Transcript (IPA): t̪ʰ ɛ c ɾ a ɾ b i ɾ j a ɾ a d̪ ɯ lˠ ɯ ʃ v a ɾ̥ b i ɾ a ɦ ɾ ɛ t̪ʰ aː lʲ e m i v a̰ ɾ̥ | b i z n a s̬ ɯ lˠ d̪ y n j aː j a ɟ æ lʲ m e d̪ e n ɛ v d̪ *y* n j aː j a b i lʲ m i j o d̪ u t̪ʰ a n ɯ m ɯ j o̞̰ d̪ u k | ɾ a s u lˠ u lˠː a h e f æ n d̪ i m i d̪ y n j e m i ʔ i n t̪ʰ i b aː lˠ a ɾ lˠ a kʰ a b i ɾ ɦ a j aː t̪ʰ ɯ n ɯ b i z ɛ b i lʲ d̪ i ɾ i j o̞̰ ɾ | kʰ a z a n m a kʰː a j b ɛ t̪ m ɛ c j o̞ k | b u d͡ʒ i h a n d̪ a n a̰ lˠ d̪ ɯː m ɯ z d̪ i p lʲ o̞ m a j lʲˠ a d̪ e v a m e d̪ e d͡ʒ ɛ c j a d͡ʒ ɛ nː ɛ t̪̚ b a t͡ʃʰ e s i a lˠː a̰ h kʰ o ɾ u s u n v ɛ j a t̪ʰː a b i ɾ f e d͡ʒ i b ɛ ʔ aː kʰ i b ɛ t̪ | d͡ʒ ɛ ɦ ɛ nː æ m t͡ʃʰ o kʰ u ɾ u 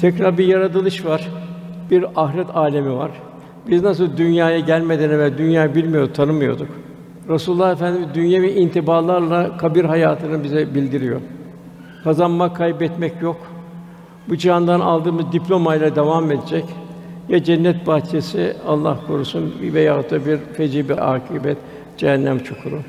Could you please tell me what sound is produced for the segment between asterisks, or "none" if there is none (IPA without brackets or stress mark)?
y